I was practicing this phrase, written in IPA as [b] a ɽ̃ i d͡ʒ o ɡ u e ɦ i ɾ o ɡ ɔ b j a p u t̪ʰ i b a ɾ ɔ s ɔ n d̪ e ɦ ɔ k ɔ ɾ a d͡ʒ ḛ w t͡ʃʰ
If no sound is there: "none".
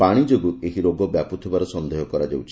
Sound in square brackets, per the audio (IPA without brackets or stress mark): p